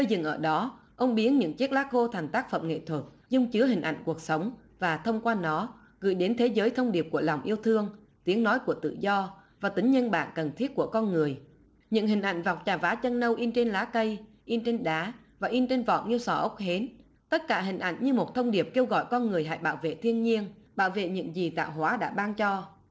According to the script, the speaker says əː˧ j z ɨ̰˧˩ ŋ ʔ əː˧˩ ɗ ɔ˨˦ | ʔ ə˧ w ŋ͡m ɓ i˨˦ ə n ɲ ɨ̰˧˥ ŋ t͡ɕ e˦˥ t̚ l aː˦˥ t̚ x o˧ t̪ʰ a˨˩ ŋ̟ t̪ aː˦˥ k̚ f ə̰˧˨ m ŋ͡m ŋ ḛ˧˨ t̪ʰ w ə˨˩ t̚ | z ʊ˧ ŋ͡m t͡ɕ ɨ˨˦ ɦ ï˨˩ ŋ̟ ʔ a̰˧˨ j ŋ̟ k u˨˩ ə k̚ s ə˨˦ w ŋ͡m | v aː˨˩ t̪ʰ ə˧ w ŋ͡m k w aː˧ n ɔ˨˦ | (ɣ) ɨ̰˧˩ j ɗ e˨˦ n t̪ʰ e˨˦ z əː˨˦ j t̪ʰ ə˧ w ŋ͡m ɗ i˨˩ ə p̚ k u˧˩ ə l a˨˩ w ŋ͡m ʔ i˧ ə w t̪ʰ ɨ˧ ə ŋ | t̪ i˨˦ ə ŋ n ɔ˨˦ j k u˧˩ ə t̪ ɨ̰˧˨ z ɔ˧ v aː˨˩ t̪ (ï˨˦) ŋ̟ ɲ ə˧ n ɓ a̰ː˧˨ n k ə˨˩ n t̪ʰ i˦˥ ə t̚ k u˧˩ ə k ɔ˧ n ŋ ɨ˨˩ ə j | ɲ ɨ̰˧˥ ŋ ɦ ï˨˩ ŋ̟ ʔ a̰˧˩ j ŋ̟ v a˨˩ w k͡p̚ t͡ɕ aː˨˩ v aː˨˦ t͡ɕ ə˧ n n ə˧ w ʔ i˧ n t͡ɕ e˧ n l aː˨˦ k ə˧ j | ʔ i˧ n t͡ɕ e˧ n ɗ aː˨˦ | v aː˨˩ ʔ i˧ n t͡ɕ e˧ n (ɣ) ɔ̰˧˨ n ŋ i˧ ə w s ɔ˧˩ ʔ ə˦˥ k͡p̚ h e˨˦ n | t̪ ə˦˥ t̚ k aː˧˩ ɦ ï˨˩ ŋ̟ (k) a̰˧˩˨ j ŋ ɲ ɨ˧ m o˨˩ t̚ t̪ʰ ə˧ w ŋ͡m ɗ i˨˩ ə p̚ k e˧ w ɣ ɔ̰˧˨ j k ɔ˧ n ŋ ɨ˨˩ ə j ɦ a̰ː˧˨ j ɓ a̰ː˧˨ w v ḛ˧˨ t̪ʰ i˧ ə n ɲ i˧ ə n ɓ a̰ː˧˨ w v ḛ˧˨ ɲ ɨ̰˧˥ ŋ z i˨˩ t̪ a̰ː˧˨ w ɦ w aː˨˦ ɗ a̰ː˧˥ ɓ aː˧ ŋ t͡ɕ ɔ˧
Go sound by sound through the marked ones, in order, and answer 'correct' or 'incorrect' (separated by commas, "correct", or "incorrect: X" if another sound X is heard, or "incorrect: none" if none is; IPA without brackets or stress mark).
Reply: correct, correct, incorrect: v, incorrect: ʔ